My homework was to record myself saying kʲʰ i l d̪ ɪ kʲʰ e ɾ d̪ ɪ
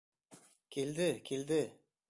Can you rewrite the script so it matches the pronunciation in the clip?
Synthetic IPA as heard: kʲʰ e l d̪ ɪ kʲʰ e l d̪ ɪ